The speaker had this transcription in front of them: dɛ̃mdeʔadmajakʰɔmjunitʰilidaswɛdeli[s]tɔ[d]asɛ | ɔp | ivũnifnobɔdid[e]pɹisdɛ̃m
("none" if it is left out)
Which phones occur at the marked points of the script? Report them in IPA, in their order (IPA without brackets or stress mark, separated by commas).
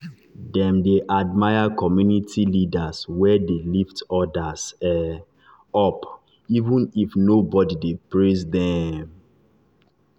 f, d, e